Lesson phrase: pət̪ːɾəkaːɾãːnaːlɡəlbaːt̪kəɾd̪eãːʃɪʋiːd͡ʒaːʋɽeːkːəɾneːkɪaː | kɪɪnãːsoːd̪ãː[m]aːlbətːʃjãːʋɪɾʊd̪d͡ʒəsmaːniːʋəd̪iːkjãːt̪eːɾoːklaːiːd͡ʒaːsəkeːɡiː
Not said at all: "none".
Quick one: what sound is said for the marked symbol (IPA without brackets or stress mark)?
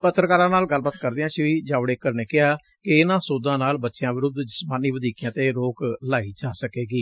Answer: n